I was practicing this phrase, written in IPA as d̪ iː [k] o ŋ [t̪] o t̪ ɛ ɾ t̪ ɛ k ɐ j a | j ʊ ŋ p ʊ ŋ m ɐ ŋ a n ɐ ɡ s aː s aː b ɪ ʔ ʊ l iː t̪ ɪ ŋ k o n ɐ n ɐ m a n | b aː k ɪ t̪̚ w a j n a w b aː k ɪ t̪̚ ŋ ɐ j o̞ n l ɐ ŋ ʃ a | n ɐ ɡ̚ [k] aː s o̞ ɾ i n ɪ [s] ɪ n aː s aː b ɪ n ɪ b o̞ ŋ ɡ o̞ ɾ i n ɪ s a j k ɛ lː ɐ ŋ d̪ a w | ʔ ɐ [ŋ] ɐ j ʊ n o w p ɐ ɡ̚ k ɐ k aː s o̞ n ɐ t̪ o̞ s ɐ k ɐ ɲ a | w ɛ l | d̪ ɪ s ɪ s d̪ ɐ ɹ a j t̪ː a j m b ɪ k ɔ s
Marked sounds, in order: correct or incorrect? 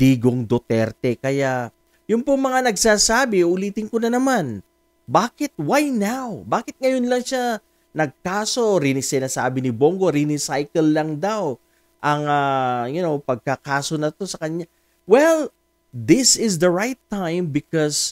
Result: incorrect, incorrect, correct, correct, correct

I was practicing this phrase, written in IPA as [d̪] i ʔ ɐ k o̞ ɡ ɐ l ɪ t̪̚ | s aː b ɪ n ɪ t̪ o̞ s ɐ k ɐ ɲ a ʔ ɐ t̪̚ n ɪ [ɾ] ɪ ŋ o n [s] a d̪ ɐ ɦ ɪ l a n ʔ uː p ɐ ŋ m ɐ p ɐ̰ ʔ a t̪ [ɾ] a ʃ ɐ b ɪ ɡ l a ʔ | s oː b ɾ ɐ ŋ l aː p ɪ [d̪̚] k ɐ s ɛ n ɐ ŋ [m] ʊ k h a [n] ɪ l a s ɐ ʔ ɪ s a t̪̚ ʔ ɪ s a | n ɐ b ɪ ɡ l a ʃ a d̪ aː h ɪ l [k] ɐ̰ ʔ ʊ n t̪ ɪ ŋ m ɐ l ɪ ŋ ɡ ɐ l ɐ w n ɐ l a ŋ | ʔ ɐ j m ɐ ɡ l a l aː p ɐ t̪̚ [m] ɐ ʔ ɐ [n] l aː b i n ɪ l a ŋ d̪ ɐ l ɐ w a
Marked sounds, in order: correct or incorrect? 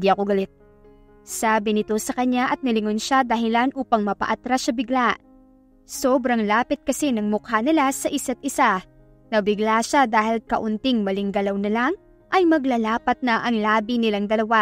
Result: correct, incorrect, incorrect, correct, incorrect, correct, correct, correct, incorrect, incorrect

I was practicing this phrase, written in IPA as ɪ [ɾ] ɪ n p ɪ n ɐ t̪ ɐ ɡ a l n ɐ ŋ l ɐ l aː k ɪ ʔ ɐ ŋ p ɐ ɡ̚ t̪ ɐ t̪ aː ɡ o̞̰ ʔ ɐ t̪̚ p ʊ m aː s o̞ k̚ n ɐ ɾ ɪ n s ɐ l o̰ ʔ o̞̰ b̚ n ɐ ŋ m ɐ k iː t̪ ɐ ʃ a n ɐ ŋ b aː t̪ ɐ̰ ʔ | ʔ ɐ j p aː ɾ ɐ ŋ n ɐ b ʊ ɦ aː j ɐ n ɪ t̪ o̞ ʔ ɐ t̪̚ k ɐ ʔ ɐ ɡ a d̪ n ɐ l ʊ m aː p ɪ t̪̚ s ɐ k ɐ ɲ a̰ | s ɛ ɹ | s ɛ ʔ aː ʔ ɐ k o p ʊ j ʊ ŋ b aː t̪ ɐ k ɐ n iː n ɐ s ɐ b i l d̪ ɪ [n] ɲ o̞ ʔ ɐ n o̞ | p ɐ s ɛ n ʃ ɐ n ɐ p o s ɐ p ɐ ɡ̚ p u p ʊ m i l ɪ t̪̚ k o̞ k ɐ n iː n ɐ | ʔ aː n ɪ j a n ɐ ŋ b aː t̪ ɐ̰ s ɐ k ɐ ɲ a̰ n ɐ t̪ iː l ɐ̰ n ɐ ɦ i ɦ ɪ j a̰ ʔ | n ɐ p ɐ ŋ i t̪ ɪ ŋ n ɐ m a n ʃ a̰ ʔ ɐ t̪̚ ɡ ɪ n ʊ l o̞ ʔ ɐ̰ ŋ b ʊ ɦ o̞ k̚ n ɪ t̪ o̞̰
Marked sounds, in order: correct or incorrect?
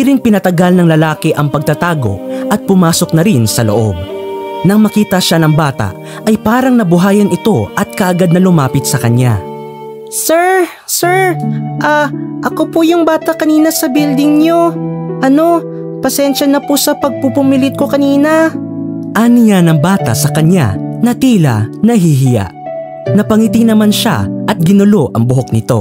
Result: correct, incorrect

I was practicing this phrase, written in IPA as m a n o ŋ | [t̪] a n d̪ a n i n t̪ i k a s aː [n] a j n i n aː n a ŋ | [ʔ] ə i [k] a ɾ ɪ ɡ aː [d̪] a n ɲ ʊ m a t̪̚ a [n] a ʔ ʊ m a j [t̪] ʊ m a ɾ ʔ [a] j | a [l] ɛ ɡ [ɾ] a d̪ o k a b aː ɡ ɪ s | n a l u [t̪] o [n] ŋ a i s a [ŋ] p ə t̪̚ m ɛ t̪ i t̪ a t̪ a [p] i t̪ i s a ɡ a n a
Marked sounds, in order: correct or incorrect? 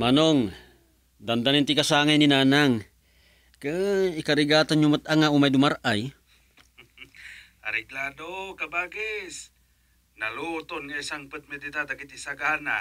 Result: incorrect, incorrect, incorrect, correct, incorrect, incorrect, incorrect, correct, incorrect, incorrect, correct, correct, correct, incorrect

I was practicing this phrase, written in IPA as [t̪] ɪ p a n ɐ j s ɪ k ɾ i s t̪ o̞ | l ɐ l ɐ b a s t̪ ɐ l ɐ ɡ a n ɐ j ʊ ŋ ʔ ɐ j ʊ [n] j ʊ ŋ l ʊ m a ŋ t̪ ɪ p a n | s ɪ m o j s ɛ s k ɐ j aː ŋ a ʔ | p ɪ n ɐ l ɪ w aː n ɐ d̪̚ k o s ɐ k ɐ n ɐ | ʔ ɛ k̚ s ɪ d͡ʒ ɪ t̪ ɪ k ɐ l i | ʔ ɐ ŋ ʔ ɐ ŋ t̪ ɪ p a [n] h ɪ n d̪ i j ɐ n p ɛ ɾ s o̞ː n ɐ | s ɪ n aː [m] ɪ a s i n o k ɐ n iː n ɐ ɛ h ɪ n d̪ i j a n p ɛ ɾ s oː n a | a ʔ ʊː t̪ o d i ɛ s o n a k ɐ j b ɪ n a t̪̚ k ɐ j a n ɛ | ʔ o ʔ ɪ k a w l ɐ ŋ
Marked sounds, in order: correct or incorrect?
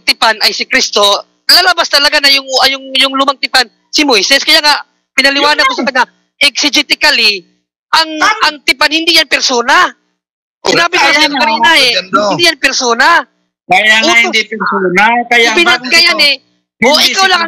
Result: correct, incorrect, correct, incorrect

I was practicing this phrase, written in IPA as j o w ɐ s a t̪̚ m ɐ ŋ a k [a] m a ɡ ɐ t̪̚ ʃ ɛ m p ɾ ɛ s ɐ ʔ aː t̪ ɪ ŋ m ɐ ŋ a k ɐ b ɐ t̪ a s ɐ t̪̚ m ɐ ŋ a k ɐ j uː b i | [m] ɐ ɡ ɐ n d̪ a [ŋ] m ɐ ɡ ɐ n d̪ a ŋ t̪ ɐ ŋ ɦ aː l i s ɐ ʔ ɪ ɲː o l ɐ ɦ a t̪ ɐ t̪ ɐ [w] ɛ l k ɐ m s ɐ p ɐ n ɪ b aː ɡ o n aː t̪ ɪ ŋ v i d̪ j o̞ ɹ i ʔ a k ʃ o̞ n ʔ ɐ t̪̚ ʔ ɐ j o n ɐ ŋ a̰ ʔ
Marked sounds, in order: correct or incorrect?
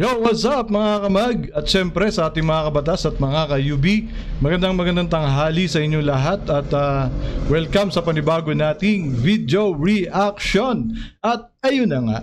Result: incorrect, correct, correct, correct

